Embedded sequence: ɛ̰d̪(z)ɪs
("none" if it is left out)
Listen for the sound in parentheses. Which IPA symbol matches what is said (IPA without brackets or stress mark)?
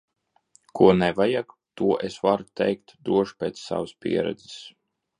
z